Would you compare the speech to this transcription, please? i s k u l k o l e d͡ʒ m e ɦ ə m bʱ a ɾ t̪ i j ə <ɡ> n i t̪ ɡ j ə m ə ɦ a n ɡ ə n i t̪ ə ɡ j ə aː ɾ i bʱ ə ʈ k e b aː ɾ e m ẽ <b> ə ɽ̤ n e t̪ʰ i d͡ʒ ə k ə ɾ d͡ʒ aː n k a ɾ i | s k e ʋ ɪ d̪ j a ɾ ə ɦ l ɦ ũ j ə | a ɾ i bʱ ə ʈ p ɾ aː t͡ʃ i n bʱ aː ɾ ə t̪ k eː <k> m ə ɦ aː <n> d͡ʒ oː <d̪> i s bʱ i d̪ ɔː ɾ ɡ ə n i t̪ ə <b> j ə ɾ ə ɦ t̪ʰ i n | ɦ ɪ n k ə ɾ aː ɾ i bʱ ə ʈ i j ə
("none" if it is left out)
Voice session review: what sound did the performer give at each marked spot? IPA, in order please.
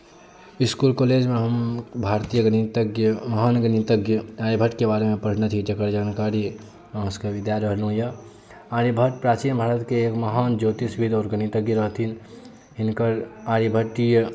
ɡ, p, k, n, t̪, ɡ

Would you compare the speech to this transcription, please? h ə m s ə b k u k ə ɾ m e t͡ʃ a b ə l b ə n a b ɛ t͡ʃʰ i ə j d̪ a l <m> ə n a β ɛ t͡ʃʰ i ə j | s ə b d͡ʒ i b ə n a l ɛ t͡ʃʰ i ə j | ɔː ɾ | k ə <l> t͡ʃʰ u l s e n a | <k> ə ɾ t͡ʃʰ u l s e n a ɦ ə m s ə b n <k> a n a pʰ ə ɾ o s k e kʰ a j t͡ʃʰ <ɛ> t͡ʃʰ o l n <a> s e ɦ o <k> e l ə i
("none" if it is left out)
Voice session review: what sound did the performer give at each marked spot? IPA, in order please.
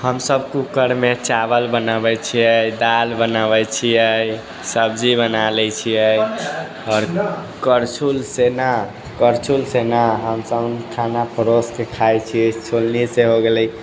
b, ɾ, k, kʰ, i, i, ɡ

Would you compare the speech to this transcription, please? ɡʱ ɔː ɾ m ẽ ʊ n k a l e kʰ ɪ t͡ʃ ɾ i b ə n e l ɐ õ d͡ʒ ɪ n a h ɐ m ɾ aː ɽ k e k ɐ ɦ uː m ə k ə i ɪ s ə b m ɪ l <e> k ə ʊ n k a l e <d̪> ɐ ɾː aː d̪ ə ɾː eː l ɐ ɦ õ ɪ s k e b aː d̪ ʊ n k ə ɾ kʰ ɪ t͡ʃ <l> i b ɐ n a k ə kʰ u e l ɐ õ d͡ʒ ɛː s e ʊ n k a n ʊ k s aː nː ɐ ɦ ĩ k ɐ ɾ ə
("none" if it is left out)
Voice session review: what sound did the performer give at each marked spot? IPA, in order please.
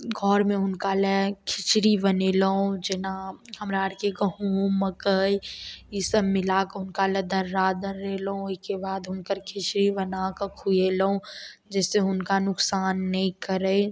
a, d̪, ɾ

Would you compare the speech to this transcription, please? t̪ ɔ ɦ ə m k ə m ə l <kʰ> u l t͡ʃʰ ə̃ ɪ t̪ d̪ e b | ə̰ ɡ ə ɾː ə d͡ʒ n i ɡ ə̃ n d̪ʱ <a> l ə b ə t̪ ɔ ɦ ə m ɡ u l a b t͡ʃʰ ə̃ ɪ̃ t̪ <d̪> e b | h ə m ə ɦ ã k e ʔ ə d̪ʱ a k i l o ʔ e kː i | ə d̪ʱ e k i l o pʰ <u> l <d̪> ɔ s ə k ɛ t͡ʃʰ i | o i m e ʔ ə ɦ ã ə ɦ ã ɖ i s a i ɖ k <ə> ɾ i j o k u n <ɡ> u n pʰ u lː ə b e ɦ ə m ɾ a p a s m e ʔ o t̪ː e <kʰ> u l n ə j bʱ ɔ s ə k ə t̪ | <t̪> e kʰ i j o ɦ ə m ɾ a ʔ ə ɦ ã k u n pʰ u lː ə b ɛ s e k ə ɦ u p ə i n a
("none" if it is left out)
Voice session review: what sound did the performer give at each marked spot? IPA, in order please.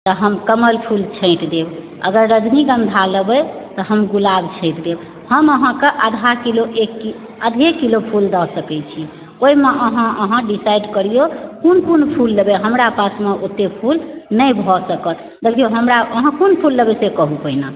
pʰ, a, d̪, u, d̪, ə, k, pʰ, d̪

